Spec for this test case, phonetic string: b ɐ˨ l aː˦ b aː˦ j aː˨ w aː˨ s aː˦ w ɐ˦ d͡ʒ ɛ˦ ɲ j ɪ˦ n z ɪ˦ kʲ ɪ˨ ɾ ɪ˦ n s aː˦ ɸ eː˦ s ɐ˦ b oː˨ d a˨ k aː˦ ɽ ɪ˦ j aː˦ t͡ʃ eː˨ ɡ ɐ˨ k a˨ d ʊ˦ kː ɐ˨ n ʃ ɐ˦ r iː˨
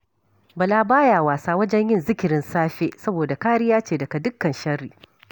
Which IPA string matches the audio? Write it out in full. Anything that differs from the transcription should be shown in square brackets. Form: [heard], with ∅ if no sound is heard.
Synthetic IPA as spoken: b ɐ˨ l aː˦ b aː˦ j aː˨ w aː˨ s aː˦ w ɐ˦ d͡ʒ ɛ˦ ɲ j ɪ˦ n z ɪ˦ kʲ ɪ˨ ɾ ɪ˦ n s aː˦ ɸ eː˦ s ɐ˦ b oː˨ d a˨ k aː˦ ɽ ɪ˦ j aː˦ t͡ʃ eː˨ [d] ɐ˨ k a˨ d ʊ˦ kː ɐ˨ n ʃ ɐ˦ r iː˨